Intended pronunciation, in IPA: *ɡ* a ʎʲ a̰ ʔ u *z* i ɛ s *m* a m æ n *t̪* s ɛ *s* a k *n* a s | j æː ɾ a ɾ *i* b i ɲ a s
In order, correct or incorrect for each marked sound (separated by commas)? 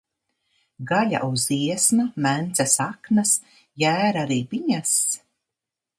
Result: correct, correct, incorrect, correct, correct, correct, incorrect